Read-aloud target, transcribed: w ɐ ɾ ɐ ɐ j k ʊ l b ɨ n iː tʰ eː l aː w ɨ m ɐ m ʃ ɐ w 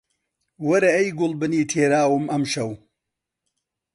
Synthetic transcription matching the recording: w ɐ ɾ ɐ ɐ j ɡ ʊ l b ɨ n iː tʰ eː ɾ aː w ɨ m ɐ m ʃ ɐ w

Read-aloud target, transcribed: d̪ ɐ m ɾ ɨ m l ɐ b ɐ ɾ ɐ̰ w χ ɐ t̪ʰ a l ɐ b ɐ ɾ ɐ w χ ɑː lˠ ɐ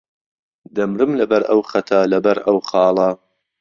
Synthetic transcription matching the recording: d̪ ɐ m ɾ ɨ m l ɐ b ɐ ɾ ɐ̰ w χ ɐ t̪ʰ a l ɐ b ɐ ɾ ɐ w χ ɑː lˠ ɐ

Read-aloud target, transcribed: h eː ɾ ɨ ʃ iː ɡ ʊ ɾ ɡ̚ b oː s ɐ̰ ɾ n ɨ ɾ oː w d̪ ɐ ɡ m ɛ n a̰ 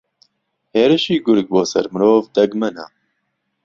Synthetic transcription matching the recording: h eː ɾ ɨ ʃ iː ɡ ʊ ɾ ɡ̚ b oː s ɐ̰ ɾ m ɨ ɾ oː v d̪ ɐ ɡ m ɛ n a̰

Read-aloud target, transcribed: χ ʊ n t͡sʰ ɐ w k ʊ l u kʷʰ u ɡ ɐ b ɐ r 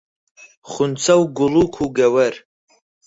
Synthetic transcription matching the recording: χ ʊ n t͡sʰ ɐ w ɡ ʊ l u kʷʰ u ɡ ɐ w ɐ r

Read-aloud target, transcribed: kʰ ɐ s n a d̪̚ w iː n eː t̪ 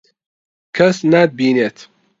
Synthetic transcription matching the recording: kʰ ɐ s n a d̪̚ b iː n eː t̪

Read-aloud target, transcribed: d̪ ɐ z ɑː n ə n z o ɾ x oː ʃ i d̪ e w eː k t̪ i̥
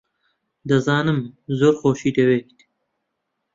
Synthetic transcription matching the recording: d̪ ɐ z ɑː n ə m z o ɾ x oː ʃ i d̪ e w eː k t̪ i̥

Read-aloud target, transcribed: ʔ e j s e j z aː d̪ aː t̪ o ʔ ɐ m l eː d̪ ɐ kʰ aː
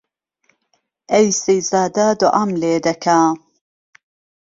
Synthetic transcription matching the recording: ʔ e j s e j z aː d̪ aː d̪ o ʔ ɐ m l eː d̪ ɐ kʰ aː

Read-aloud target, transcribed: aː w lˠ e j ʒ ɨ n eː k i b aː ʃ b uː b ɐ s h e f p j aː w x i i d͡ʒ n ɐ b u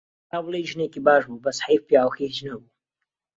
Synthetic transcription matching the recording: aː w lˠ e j ʒ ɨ n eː k i b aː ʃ b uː b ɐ s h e f p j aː w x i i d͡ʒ n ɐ b u

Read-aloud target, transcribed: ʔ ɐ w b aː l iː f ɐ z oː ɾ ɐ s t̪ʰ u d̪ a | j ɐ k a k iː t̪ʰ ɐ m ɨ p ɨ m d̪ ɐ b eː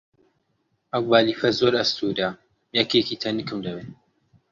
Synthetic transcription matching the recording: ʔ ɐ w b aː l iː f ɐ z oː ɾ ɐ s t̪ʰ u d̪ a | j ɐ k e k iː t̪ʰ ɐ n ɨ k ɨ m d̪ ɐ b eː

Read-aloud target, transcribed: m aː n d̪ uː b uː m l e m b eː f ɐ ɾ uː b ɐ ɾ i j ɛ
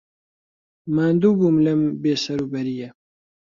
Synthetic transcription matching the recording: m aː n d̪ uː b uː m l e m b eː s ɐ ɾ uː b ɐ ɾ i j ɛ

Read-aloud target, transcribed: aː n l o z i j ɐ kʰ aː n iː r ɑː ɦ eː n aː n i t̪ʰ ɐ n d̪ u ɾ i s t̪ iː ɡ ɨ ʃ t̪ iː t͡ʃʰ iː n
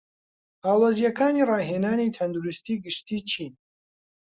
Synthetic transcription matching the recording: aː l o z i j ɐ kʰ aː n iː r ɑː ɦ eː n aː n i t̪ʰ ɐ n d̪ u ɾ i s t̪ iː ɡ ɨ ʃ t̪ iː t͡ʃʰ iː n

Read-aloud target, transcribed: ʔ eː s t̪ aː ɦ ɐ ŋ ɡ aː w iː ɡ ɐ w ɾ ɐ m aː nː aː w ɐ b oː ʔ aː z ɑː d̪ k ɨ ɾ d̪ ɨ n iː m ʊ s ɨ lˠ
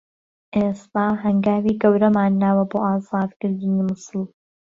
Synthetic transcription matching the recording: ʔ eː s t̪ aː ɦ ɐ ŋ ɡ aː w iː ɡ ɐ w ɾ ɐ m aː nː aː w ɐ b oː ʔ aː z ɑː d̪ k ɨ ɾ d̪ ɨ n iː m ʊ s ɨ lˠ

